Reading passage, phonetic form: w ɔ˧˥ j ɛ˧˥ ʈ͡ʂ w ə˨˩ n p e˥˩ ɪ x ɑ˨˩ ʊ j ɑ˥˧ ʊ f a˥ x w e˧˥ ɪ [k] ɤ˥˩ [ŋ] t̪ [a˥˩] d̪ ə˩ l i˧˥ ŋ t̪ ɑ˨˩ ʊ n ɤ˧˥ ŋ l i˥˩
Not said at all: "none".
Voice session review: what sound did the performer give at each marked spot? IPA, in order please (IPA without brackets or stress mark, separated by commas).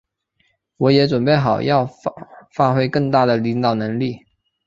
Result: k, ŋ, a˥˩